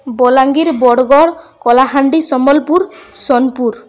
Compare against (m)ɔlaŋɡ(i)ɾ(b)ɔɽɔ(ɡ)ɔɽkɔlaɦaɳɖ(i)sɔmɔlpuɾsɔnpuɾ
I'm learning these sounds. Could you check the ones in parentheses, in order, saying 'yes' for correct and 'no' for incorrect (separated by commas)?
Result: no, yes, yes, yes, yes